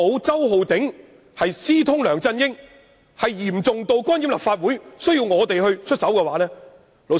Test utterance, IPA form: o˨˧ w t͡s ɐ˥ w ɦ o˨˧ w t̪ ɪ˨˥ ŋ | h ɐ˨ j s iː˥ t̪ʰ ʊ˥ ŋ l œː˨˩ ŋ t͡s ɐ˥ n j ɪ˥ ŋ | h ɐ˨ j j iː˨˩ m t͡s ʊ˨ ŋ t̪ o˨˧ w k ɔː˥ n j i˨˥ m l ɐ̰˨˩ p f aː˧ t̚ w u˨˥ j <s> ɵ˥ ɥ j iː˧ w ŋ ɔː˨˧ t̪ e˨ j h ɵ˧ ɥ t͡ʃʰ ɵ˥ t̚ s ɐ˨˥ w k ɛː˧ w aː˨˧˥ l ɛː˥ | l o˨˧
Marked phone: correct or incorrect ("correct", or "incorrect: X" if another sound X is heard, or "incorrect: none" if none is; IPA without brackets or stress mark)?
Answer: correct